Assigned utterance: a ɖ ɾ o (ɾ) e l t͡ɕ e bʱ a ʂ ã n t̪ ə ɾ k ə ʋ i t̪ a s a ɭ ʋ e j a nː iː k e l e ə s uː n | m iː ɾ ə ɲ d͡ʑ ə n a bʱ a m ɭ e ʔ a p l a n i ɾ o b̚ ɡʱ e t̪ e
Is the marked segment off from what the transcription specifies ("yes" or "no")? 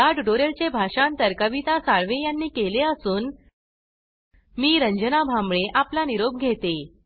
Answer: no